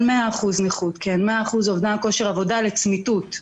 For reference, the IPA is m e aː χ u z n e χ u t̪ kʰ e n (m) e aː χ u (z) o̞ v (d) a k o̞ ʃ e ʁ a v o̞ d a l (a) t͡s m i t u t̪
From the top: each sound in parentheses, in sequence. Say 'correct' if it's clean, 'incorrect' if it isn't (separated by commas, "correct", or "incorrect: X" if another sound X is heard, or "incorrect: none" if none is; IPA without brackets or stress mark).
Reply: correct, correct, correct, incorrect: e